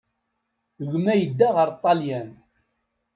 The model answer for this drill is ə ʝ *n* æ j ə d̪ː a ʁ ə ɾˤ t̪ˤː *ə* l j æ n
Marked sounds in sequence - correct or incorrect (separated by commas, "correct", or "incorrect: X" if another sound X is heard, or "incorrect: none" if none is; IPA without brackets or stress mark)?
incorrect: m, incorrect: ɑ